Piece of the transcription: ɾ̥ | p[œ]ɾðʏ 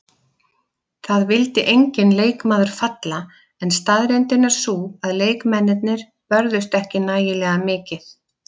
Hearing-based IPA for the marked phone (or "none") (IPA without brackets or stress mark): œ